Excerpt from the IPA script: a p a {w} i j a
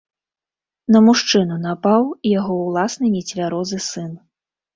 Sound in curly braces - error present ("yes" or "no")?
no